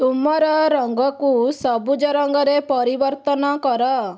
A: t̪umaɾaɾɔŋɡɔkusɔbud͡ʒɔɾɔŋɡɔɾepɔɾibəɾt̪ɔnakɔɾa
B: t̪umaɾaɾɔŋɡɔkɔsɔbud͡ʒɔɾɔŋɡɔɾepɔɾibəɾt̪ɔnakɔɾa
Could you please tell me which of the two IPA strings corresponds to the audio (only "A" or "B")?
A